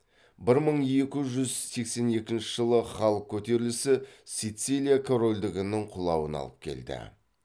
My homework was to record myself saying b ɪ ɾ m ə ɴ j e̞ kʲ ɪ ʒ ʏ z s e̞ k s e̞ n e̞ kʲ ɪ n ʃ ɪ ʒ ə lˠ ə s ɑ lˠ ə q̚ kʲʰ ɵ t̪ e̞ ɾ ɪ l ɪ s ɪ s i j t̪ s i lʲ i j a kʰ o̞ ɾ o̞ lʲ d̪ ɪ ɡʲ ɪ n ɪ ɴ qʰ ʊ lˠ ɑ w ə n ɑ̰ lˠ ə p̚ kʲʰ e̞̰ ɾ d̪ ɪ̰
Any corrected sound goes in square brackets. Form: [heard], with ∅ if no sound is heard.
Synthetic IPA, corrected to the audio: b ɪ ɾ m ə ɴ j e̞ kʲ ɪ ʒ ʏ z s e̞ k s e̞ n e̞ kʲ ɪ n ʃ ɪ ʒ ə lˠ ə [χ] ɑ lˠ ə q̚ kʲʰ ɵ t̪ e̞ ɾ ɪ l ɪ s ɪ s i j t̪ s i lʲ i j a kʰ o̞ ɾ o̞ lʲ d̪ ɪ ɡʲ ɪ n ɪ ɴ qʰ ʊ lˠ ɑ w ə n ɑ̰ lˠ ə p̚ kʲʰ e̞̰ [l] d̪ ɪ̰